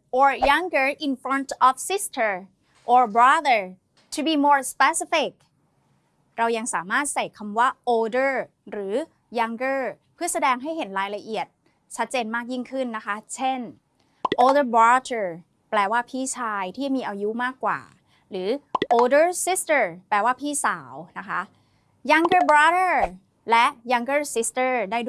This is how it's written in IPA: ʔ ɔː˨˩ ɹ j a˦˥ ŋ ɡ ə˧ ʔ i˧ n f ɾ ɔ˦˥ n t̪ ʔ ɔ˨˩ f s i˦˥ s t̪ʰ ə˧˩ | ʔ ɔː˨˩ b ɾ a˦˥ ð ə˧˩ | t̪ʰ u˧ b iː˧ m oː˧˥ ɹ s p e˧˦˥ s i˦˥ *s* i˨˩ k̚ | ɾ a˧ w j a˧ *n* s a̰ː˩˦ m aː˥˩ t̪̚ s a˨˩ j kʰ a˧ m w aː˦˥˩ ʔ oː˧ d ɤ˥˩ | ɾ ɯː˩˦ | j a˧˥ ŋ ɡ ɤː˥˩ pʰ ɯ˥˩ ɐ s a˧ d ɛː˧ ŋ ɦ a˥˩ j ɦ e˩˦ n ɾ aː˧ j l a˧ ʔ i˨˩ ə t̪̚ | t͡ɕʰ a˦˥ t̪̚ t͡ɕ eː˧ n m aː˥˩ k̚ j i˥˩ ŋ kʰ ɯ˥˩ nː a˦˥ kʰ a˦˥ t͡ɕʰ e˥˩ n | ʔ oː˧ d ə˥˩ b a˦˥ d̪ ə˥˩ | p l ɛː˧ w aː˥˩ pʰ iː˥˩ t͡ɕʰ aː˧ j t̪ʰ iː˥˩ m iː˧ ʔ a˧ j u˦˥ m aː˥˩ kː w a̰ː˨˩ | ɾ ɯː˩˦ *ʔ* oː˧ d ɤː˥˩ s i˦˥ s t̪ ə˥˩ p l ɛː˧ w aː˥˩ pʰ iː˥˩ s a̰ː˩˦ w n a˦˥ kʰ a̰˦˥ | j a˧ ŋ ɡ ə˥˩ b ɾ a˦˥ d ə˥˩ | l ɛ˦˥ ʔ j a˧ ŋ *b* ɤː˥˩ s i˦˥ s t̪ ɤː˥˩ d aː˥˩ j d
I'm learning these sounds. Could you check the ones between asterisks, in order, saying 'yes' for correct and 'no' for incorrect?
no, no, yes, no

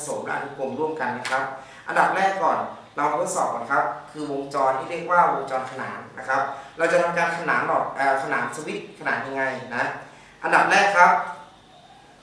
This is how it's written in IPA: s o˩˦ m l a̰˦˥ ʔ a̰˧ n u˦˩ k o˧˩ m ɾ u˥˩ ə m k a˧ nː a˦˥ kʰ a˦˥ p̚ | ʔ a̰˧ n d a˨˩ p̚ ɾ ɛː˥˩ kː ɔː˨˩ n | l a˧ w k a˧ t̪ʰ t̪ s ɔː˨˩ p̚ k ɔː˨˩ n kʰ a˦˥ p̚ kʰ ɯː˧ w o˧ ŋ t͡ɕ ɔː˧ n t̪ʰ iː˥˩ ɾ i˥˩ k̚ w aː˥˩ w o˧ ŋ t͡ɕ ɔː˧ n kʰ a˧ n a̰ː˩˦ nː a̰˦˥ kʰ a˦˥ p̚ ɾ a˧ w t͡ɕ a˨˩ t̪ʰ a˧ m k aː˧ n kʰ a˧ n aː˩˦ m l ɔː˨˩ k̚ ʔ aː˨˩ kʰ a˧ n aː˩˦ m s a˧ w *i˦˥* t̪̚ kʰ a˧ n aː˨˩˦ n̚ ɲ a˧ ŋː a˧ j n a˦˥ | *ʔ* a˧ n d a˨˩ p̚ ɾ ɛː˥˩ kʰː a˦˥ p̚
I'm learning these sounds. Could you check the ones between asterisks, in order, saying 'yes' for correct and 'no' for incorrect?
yes, yes

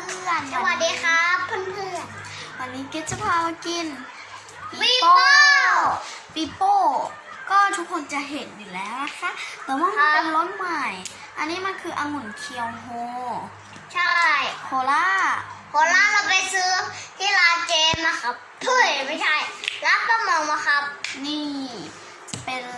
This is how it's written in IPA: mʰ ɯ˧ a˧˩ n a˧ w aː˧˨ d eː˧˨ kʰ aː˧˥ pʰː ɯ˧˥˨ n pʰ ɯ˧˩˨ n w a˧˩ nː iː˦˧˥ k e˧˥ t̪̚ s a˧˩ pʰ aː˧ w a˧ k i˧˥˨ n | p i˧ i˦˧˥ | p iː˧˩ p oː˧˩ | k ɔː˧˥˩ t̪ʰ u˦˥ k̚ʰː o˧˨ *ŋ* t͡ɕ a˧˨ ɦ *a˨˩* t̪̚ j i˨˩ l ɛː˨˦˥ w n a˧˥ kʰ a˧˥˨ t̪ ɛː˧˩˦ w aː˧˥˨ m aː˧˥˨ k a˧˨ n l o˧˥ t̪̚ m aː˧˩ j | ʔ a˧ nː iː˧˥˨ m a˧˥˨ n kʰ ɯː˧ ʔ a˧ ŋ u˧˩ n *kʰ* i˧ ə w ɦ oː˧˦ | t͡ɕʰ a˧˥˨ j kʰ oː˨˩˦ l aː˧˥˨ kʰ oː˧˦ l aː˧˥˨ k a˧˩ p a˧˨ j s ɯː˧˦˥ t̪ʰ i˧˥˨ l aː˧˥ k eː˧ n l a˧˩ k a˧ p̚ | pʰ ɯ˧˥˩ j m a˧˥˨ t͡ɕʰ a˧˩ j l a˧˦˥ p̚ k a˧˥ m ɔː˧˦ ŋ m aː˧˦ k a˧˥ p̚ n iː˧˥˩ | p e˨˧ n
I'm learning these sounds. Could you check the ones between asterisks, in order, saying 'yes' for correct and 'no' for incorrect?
no, no, yes

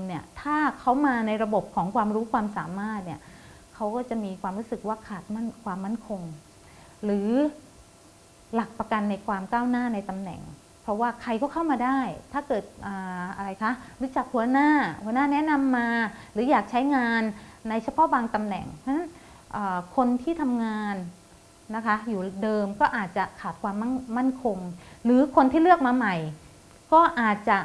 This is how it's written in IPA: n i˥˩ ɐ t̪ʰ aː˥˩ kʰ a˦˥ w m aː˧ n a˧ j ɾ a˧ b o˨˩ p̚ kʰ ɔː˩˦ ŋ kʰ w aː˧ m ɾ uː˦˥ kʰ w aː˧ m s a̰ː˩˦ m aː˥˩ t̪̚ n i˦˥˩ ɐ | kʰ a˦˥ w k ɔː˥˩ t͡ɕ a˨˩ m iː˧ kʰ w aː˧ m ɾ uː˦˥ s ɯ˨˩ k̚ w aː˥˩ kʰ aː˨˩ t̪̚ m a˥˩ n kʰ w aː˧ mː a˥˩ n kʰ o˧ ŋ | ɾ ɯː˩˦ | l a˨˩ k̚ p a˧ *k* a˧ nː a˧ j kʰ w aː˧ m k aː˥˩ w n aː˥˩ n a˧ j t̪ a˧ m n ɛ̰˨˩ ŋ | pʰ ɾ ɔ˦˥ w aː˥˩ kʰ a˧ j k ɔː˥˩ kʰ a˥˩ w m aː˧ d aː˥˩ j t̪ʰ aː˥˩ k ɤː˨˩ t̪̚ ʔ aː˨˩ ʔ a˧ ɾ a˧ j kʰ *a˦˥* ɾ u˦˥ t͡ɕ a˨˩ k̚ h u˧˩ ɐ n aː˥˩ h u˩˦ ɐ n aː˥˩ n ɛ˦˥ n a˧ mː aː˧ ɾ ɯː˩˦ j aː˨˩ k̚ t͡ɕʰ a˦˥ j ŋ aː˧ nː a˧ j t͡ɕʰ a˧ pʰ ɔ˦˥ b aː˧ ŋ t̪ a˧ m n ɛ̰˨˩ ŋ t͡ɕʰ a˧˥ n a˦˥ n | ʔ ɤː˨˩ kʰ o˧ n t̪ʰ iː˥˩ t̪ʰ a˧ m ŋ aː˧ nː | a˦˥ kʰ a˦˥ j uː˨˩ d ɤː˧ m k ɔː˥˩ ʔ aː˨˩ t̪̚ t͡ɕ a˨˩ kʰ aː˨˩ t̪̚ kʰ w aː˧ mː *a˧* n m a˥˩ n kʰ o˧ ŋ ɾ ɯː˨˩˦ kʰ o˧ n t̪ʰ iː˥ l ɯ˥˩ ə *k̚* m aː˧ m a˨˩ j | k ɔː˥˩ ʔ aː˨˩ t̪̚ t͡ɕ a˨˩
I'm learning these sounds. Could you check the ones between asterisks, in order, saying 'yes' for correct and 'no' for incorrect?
yes, yes, no, yes

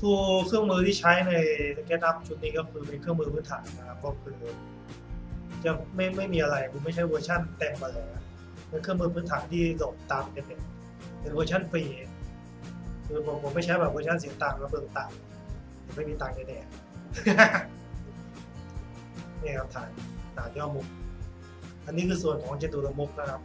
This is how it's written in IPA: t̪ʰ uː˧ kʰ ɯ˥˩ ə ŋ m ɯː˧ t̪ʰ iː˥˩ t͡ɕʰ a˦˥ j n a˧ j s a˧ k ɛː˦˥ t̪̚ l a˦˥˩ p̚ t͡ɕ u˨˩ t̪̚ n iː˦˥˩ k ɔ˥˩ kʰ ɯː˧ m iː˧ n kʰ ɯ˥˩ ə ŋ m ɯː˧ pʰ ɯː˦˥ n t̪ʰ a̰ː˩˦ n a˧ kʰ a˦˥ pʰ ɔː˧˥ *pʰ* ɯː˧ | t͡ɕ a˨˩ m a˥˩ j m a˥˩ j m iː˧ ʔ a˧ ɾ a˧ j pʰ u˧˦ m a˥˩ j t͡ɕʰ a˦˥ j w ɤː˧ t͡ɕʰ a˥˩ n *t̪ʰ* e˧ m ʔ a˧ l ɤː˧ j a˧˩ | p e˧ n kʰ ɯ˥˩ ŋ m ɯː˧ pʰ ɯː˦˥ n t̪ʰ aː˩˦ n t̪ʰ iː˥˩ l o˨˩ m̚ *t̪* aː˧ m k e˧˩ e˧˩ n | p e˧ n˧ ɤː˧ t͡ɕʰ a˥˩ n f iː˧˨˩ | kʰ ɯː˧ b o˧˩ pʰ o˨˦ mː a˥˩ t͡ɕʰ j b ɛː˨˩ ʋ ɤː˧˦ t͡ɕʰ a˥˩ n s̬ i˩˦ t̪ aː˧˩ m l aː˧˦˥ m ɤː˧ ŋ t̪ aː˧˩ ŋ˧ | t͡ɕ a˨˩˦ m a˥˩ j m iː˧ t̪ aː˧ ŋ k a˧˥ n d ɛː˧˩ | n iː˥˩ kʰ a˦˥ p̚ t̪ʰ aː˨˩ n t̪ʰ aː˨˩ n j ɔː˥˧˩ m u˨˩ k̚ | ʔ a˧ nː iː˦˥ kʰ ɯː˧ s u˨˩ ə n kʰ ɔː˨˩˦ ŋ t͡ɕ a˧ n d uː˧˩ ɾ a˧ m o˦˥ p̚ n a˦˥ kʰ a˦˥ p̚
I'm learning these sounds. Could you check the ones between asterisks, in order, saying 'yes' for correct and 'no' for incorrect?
no, no, yes

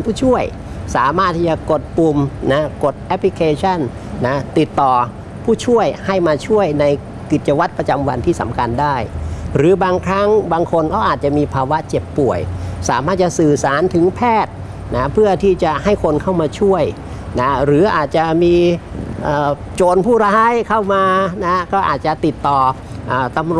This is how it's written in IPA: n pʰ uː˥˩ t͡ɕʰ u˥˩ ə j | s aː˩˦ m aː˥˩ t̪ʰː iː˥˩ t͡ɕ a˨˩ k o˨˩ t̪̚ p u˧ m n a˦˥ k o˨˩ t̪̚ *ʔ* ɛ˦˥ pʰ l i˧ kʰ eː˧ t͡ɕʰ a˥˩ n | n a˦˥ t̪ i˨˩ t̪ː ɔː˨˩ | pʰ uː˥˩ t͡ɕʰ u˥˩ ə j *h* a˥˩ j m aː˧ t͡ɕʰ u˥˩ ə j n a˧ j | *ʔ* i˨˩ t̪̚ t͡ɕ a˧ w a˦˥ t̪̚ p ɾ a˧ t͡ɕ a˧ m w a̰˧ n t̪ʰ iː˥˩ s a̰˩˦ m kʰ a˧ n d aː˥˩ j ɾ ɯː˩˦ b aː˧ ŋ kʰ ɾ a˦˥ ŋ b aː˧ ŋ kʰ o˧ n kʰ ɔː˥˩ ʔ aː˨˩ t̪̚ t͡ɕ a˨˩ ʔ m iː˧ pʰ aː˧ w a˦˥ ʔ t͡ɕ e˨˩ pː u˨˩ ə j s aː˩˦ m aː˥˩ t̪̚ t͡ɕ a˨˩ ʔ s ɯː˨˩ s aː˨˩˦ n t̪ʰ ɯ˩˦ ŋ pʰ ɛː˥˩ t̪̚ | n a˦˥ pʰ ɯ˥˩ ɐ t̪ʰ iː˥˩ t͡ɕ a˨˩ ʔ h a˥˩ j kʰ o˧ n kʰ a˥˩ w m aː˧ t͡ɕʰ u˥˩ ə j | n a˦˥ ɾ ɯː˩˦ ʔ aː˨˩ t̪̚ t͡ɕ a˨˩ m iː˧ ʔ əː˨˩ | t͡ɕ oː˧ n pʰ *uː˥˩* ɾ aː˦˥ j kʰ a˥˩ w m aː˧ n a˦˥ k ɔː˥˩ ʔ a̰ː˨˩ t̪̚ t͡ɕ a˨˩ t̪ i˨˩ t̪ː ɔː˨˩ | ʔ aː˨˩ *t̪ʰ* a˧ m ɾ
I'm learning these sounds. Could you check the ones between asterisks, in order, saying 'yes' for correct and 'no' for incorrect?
yes, yes, no, yes, no

